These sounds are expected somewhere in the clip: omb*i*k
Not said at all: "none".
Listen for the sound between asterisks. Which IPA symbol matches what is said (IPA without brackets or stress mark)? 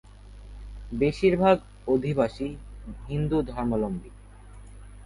i